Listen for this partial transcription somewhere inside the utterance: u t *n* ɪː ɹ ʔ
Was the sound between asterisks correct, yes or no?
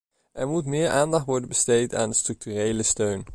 no